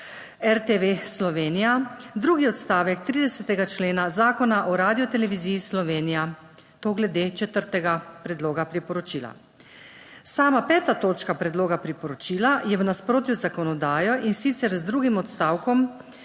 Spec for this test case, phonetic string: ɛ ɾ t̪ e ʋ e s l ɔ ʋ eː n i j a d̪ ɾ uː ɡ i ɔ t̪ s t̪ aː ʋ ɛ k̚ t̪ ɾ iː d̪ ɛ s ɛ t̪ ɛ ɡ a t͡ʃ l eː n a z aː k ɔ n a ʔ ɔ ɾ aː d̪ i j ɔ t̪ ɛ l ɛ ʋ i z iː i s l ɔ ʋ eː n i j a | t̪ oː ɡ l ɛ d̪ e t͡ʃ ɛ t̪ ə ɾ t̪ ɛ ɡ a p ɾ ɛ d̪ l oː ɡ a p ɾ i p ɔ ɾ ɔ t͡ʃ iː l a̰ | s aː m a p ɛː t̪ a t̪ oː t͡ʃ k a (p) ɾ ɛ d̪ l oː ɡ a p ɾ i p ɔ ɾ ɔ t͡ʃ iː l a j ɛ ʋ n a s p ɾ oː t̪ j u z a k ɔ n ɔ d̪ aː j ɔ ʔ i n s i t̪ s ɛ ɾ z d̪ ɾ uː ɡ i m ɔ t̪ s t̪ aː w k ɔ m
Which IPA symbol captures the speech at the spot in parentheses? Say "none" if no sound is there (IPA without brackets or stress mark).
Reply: p